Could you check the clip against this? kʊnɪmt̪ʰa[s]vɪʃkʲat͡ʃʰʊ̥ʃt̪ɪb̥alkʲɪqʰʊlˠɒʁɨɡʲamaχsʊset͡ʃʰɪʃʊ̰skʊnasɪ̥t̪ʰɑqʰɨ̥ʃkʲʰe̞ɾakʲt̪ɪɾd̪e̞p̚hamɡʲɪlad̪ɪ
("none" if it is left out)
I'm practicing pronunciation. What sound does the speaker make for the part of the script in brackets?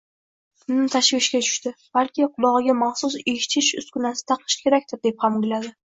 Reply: ʃ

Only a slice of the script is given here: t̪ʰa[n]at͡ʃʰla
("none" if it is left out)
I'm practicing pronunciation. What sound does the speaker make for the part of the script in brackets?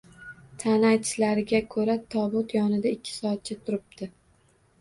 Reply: n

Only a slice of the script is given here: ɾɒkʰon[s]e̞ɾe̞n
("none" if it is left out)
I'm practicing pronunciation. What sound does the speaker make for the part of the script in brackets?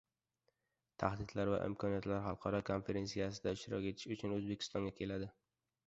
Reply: f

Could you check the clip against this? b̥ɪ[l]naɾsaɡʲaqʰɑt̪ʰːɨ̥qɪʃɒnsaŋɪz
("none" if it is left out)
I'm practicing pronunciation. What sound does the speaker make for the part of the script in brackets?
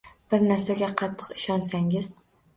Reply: ɾ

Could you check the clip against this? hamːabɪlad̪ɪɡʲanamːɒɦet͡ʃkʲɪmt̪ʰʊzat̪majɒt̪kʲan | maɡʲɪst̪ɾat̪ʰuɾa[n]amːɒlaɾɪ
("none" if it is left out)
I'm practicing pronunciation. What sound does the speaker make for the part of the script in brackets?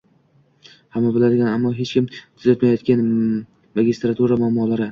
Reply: m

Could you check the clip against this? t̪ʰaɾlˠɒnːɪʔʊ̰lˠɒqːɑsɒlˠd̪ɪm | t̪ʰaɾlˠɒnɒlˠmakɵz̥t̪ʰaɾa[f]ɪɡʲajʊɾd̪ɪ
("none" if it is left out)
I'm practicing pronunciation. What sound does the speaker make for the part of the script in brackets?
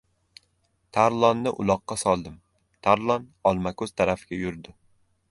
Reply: f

